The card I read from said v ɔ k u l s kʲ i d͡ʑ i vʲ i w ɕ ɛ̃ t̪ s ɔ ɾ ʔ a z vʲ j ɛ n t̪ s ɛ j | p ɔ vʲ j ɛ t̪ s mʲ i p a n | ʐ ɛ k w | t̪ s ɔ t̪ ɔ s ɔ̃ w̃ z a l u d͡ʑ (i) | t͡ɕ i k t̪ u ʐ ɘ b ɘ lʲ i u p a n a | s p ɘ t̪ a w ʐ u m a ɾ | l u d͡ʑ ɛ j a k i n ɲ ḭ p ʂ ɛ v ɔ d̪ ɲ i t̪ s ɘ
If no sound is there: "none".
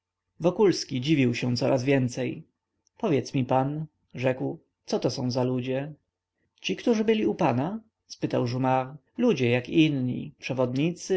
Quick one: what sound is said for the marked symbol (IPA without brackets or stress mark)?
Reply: ɛ